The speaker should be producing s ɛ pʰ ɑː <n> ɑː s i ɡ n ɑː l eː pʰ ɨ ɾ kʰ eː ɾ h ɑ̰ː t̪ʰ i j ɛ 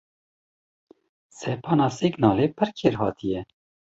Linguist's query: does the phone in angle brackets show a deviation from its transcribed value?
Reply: no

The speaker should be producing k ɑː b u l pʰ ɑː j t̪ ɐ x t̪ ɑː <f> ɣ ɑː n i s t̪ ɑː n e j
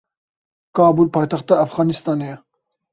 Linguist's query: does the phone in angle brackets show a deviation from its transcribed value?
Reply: no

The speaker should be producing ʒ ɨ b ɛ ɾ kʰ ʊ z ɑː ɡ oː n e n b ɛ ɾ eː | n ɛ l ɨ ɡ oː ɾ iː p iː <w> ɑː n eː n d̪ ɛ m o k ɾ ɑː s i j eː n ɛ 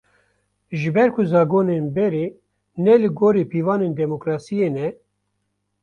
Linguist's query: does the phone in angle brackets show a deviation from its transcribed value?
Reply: yes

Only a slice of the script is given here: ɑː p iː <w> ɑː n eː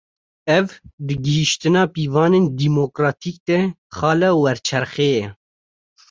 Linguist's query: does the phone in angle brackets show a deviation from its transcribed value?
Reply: yes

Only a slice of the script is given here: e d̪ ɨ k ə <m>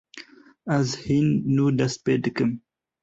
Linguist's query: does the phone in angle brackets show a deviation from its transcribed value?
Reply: no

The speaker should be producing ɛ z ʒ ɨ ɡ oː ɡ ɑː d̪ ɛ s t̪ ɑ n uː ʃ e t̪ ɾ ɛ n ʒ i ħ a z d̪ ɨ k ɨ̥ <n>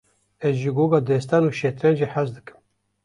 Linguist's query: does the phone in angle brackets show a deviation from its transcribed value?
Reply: yes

